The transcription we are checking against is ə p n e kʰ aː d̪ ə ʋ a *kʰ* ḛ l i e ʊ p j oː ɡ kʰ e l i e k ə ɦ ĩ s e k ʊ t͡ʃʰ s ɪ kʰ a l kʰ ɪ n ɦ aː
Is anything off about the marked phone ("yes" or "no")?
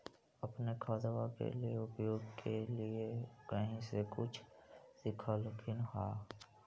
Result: yes